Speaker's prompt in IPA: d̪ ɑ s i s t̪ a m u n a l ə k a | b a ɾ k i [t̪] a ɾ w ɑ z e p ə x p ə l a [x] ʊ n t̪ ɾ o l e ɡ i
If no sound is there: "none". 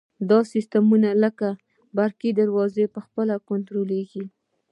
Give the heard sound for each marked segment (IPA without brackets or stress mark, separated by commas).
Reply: d̪, k